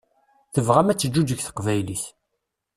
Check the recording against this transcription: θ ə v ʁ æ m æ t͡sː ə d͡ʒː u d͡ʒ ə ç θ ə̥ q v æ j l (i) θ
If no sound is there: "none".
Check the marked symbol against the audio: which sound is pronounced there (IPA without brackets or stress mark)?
i